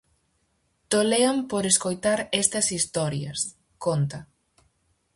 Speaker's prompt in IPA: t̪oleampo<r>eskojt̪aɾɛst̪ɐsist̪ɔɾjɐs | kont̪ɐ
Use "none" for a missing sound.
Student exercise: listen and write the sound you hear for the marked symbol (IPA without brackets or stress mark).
ɾ